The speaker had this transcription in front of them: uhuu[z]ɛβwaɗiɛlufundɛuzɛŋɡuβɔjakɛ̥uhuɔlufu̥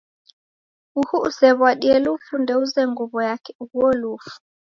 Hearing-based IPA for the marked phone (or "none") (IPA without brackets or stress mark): s